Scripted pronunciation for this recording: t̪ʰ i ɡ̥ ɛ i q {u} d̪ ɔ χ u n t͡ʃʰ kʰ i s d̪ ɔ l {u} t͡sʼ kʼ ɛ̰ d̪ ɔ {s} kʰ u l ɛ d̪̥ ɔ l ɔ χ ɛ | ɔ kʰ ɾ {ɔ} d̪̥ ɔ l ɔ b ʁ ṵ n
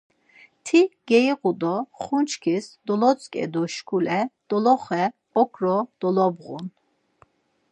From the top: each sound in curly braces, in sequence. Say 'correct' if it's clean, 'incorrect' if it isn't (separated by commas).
correct, incorrect, incorrect, correct